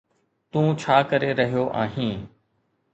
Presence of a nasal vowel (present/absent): present